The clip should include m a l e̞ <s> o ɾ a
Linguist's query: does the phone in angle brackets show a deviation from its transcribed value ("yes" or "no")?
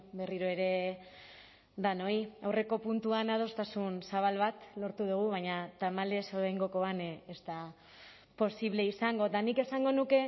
no